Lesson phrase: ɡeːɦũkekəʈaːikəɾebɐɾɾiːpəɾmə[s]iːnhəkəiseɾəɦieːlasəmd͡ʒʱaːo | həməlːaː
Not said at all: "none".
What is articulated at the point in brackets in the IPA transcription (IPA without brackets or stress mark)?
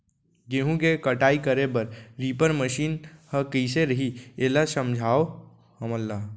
ʃ